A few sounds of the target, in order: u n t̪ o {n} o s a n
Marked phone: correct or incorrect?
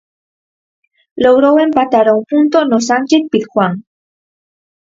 correct